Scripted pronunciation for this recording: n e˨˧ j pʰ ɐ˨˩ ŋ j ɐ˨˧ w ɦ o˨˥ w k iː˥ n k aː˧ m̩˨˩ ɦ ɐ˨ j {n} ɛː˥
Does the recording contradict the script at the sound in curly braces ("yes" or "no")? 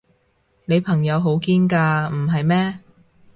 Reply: yes